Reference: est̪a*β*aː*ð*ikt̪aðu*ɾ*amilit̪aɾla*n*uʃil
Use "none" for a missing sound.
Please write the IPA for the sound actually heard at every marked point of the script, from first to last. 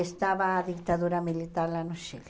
β, ð, ɾ, n

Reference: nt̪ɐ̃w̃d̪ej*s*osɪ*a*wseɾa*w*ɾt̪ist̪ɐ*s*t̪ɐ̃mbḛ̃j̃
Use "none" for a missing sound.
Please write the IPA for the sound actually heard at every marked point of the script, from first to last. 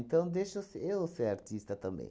ʃ, e, none, none

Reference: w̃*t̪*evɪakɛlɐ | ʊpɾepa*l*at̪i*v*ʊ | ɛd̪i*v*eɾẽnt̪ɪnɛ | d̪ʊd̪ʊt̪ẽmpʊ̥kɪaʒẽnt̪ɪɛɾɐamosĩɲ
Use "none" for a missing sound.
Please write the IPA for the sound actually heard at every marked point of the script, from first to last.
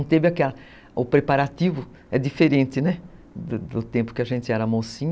t̪, ɾ, v, f

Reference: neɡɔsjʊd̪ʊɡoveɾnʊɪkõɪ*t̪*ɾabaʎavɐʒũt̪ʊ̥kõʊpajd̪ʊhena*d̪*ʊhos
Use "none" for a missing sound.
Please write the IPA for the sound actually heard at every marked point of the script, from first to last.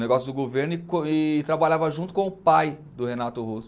t̪, t̪

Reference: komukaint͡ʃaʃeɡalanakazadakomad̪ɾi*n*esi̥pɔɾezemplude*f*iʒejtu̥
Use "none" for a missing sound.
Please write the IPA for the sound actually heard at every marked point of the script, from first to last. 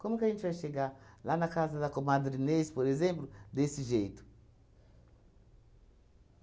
n, s

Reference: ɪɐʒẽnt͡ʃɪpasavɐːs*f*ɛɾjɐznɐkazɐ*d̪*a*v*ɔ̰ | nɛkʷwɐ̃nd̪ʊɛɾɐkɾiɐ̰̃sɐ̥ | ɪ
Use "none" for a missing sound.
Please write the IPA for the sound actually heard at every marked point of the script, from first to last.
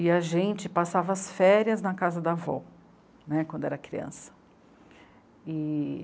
f, d̪, v

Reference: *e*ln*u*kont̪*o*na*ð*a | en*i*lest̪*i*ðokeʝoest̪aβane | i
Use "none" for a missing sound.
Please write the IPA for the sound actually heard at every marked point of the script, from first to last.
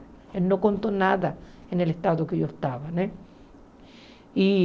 e, o, o, ð, e, a

